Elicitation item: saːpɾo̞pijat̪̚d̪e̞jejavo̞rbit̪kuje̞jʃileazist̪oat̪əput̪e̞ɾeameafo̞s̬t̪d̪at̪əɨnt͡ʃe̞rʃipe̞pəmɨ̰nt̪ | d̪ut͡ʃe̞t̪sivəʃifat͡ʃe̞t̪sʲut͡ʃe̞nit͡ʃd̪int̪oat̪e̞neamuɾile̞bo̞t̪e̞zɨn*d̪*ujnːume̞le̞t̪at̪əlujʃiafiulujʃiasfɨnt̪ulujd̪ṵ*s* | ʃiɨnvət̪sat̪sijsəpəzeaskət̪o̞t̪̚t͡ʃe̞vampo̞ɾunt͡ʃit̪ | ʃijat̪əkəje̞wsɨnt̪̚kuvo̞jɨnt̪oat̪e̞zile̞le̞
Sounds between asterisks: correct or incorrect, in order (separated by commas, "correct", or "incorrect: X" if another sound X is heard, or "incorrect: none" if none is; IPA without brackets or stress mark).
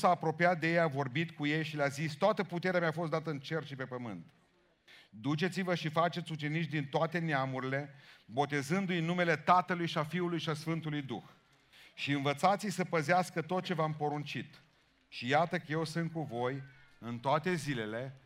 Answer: correct, incorrect: x